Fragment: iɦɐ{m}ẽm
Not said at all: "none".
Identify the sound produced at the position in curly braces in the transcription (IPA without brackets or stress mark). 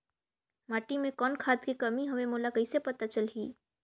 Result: m